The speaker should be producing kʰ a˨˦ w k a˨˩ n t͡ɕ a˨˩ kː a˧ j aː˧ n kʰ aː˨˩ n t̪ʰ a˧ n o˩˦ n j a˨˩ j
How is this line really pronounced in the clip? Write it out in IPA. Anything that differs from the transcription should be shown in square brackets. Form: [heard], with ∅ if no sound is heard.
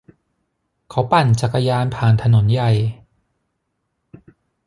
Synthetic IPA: kʰ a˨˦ w [p] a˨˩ n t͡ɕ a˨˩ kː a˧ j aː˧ n [pʰ] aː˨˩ n t̪ʰ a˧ n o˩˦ n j a˨˩ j